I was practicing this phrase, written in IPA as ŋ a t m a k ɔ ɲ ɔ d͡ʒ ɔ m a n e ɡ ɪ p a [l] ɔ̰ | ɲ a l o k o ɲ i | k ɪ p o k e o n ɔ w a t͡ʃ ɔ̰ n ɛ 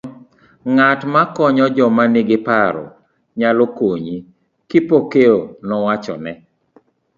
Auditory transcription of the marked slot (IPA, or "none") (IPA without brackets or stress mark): ɾ